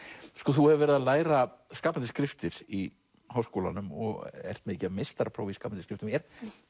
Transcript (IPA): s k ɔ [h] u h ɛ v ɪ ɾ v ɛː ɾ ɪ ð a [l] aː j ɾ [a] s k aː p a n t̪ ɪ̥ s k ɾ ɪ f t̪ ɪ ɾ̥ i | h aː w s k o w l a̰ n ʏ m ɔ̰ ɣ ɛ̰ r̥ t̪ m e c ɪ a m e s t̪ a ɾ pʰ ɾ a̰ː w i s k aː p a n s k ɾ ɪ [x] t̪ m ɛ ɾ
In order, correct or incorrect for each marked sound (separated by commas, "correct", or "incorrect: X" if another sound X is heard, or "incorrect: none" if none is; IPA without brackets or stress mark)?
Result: incorrect: θ, correct, correct, incorrect: f